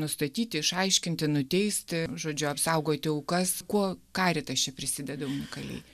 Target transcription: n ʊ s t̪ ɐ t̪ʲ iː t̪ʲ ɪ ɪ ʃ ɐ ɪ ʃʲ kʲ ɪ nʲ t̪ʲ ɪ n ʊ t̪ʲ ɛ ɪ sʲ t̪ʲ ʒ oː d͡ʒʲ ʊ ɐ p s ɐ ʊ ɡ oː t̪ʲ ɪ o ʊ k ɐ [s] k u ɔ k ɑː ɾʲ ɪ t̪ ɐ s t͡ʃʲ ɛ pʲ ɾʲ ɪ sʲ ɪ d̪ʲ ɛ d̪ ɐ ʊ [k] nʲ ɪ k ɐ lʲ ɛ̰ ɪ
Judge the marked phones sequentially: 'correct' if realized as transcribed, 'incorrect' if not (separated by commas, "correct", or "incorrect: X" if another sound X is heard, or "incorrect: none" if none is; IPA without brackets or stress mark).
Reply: correct, incorrect: none